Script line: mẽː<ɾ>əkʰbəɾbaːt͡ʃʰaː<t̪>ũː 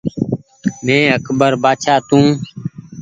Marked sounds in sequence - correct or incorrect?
incorrect: none, correct

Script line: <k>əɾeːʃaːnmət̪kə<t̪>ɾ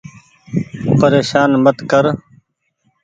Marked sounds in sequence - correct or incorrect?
incorrect: p, incorrect: none

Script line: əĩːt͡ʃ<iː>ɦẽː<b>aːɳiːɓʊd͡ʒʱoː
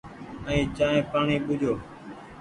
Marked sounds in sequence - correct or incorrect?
incorrect: aː, incorrect: p

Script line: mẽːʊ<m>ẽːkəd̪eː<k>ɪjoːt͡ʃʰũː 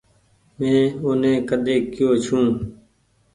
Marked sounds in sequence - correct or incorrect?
incorrect: n, correct

